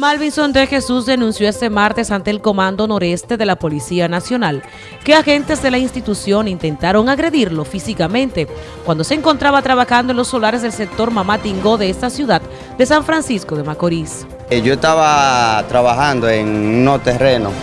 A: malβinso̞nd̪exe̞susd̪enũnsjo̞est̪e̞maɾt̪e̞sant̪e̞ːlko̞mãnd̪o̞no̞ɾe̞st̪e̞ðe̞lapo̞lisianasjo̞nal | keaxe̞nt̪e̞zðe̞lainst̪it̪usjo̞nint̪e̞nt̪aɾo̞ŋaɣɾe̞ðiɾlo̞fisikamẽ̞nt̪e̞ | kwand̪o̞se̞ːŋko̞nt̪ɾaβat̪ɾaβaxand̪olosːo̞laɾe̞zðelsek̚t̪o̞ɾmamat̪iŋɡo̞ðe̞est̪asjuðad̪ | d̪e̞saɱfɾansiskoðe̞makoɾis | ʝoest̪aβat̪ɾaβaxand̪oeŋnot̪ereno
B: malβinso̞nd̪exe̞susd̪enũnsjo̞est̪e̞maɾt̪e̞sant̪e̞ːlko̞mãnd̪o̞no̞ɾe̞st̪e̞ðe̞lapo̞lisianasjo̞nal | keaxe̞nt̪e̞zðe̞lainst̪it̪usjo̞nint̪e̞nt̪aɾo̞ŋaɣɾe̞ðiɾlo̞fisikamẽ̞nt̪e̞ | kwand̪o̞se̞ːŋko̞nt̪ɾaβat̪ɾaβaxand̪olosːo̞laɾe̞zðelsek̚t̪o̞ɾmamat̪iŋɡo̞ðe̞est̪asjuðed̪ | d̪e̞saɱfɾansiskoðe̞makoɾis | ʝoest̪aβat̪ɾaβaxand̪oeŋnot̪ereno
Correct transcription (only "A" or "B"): A